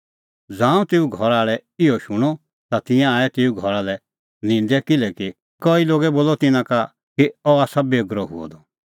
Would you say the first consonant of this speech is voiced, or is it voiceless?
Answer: voiced